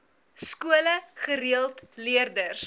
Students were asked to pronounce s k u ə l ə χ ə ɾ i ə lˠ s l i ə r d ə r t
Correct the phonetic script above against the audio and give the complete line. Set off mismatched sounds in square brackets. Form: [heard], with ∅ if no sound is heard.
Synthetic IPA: s k u ə l ə χ ə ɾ i ə lˠ [t] l i ə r d ə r [s]